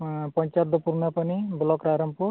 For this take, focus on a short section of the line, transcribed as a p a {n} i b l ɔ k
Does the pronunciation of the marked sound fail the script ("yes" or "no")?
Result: no